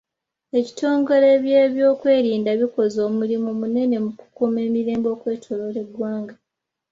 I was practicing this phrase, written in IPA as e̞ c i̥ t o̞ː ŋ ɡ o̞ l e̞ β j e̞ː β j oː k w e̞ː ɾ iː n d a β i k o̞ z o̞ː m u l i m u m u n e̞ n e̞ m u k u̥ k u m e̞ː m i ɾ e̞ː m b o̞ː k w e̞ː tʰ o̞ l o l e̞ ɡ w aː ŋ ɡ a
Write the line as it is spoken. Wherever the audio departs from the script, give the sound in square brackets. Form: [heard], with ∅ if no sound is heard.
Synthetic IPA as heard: e̞ c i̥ t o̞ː ŋ ɡ o̞ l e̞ β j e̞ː β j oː k w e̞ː ɾ iː n d a β i k o̞ z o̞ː m u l i m u m u n e̞ n e̞ m u k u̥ k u m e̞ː m i ɾ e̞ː m b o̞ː k w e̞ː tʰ o̞ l o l e̞ ɡ w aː ŋ ɡ a

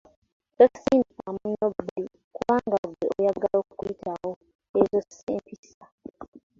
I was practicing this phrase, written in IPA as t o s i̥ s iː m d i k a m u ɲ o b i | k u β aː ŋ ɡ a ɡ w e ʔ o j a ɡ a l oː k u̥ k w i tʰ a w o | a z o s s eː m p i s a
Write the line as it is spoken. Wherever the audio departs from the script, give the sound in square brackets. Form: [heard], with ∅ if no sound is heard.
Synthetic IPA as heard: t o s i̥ s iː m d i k a m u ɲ o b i | k u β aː ŋ ɡ a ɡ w e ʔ o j a ɡ a l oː k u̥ k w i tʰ a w o | [e] z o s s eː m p i s a

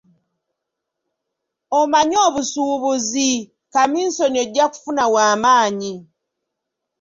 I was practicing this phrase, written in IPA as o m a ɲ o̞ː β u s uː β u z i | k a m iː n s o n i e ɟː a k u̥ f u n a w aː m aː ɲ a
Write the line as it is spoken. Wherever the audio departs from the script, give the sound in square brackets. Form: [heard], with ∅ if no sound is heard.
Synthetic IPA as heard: o m a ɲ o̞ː β u s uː β u z i | k a m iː n s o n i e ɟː a k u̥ f u n a w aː m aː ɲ [i]

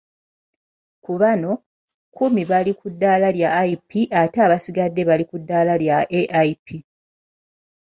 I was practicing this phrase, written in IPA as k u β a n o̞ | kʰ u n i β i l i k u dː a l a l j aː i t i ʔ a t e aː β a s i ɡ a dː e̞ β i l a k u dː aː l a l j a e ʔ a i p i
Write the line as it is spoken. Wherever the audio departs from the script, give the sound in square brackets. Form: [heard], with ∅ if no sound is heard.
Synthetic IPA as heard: k u β a n o̞ | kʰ u [m] i β [a] l i k u dː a l a l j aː i [p] i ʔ a t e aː β a s i ɡ a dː e̞ β [a] l [i] k u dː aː l a l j a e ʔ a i p i

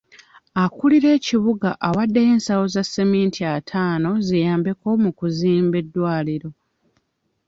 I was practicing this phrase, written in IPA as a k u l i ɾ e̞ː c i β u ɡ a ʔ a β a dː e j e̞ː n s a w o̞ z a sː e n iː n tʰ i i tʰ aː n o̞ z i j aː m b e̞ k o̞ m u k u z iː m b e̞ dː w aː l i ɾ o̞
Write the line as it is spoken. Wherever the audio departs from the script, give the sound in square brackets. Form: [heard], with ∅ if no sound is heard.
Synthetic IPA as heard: a k u l i ɾ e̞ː c i β u ɡ a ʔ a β a dː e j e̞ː n s a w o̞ z a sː e [m] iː n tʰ i [a] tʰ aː n o̞ z i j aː m b e̞ k o̞ m u k u z iː m b e̞ dː w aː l i ɾ o̞

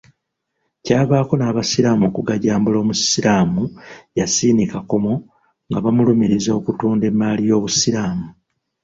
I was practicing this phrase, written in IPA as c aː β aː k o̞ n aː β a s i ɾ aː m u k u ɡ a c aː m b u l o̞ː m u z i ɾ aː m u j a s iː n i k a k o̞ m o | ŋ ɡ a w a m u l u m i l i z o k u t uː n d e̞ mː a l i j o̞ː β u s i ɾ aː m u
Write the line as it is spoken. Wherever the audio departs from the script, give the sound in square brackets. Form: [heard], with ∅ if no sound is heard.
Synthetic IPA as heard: c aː β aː k o̞ n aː β a s i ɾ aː m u k u ɡ a [ɟ] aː m b u l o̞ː m u [s] i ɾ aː m u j a s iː n i k a k o̞ m o | ŋ ɡ a [β] a m u l u m i [ɾ] i z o k u t uː n d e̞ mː a l i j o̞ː β u s i ɾ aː m u

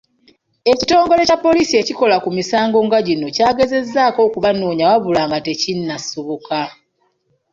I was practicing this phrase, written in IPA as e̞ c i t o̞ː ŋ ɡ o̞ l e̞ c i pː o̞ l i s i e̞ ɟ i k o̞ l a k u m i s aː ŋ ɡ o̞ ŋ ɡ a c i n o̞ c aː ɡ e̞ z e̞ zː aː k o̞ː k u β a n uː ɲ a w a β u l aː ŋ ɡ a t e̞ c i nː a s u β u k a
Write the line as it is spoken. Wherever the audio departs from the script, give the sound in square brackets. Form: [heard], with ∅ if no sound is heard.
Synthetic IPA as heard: e̞ c i t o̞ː ŋ ɡ o̞ l e̞ c [a] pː o̞ l i s i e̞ [c] i k o̞ l a k u m i s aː ŋ ɡ o̞ ŋ ɡ a [ɟ] i n o̞ c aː ɡ e̞ z e̞ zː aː k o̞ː k u β a n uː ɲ a w a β u l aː ŋ ɡ a t e̞ c i nː a s u β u k a

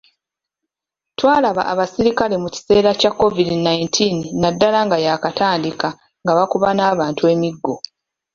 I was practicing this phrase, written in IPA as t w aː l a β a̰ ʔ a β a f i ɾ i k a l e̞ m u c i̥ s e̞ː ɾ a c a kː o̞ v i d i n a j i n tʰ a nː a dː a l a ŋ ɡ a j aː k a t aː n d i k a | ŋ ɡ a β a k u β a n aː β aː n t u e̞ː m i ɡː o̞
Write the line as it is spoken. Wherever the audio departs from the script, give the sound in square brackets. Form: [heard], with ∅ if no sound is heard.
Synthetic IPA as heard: t w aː l a β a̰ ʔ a β a [s] i ɾ i k a l e̞ m u c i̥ s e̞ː ɾ a c a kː o̞ v i d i n a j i n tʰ [i] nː a dː a l a ŋ ɡ a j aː k a t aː n d i k a | ŋ ɡ a β a k u β a n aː β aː n t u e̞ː m i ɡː o̞

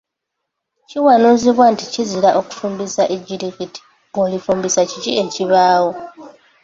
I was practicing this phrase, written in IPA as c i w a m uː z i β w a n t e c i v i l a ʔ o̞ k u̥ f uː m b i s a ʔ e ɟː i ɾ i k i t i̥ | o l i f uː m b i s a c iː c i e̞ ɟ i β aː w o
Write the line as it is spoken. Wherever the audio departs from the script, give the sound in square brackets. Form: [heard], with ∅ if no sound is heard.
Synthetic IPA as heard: c i w a [n] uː z i β w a n t [i] c i [z] i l a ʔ o̞ k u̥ f uː m b i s a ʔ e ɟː i ɾ i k i t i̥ | o l i f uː m b i s a c [i] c i e̞ [c] i β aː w o

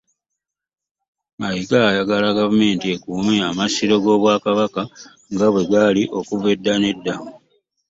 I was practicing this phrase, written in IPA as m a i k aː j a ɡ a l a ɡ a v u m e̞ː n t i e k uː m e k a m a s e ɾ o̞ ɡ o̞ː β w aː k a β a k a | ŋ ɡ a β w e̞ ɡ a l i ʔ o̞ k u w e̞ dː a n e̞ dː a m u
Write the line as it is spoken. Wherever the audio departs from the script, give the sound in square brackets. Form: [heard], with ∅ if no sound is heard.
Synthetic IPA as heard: m a i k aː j a ɡ a l a ɡ a v u m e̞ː n t i e k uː m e [∅] a m a s [i] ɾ o̞ ɡ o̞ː β w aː k a β a k a | ŋ ɡ a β w e̞ ɡ a l i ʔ o̞ k u [v] e̞ dː a n e̞ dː a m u

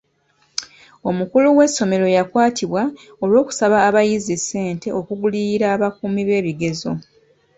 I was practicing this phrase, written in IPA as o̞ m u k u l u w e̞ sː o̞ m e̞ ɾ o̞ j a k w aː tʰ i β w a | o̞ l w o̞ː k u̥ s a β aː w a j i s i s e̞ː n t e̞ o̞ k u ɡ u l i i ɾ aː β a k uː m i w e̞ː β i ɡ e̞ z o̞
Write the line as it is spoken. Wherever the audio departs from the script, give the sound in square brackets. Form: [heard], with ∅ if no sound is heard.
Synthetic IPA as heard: o̞ m u k u l u w e̞ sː o̞ m e̞ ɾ o̞ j a k w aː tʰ i β w a | o̞ l w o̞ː k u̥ s a β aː [β] a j i [z] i s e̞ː n t e̞ o̞ k u ɡ u l i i ɾ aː β a k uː m i [β] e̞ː β i ɡ e̞ z o̞

